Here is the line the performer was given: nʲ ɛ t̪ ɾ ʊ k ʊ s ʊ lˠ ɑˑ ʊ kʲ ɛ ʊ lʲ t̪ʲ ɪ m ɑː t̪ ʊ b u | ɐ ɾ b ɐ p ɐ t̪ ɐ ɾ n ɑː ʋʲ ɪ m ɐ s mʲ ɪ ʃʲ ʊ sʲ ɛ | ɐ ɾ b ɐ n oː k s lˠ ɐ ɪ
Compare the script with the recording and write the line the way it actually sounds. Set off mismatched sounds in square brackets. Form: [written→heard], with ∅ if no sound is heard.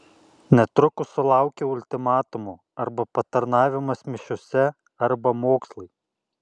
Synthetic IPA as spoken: nʲ ɛ t̪ ɾ ʊ k ʊ s ʊ lˠ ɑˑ ʊ kʲ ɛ ʊ lʲ t̪ʲ ɪ m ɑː t̪ ʊ [b→m] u | ɐ ɾ b ɐ p ɐ t̪ ɐ ɾ n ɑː ʋʲ ɪ m ɐ s mʲ ɪ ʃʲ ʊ sʲ ɛ | ɐ ɾ b ɐ [n→m] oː k s lˠ ɐ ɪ

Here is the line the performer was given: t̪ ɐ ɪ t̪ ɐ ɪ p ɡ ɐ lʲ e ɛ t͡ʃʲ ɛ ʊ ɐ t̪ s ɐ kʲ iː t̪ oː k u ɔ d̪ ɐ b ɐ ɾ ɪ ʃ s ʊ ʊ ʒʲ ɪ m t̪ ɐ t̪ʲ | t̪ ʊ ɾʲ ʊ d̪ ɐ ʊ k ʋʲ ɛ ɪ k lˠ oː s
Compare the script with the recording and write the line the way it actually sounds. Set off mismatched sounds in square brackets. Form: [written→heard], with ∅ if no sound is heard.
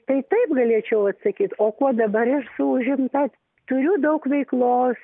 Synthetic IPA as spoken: t̪ ɐ ɪ t̪ ɐ ɪ p ɡ ɐ lʲ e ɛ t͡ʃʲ ɛ ʊ ɐ t̪ s ɐ kʲ iː t̪ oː k u ɔ d̪ ɐ b ɐ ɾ ɪ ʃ s ʊ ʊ ʒʲ ɪ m t̪ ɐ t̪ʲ | t̪ ʊ ɾʲ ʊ d̪ ɐ ʊ k ʋʲ ɛ ɪ k lˠ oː s

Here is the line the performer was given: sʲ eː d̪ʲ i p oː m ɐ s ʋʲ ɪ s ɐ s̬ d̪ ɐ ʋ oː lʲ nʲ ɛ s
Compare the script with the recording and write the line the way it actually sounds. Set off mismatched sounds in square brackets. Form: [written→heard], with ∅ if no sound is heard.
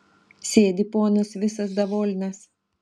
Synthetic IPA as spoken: sʲ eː d̪ʲ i p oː [m→n] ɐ s ʋʲ ɪ s ɐ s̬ d̪ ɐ ʋ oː lʲ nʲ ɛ s

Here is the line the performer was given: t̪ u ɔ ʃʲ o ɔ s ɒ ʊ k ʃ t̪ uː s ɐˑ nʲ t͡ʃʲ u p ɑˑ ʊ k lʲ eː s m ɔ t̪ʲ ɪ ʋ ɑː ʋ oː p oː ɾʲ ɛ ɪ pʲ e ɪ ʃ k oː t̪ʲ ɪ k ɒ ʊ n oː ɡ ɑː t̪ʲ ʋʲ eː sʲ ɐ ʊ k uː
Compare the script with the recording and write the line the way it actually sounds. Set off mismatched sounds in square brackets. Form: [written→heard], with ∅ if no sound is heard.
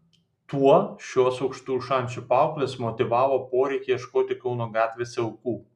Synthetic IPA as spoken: t̪ u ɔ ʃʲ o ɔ s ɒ ʊ k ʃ t̪ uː [s→ʃ] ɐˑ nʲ t͡ʃʲ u p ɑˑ ʊ k lʲ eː s m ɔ t̪ʲ ɪ ʋ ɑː ʋ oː p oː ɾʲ ɛ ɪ [pʲ→kʲ] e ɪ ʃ k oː t̪ʲ ɪ k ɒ ʊ n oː ɡ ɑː t̪ʲ ʋʲ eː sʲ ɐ ʊ k uː

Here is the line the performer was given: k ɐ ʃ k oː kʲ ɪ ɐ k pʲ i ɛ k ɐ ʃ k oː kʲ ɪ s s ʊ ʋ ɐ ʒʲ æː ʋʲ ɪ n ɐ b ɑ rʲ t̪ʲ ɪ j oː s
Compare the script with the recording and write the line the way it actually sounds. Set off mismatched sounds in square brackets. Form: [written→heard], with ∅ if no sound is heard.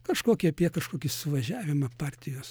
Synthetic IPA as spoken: k ɐ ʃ k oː kʲ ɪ ɐ [k→∅] pʲ i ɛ k ɐ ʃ k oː kʲ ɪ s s ʊ ʋ ɐ ʒʲ æː ʋʲ ɪ [n→m] ɐ [b→p] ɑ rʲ t̪ʲ ɪ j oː s

